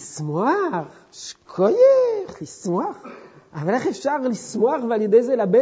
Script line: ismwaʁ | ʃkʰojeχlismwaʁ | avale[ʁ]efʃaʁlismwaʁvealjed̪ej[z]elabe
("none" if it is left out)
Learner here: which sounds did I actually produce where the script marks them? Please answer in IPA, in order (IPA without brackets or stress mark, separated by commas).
χ, z